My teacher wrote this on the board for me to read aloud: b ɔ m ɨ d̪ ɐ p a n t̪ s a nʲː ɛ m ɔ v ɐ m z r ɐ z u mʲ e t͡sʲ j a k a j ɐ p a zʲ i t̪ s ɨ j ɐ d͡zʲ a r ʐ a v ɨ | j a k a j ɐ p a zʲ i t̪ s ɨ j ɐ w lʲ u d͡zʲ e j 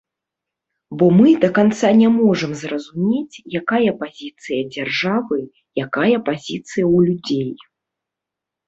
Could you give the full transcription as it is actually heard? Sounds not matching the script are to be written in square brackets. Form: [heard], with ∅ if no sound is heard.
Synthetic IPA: b ɔ m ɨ d̪ ɐ [k] a n t̪ s a [nʲ] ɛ m ɔ [ʐ] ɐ m z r ɐ z u mʲ e t͡sʲ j a k a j ɐ p a zʲ i t̪ s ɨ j ɐ d͡zʲ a r ʐ a v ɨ | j a k a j ɐ p a zʲ i t̪ s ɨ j ɐ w lʲ u d͡zʲ e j